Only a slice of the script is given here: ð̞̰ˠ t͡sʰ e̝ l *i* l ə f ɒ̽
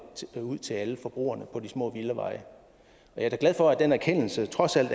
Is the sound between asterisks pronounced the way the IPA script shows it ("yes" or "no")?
no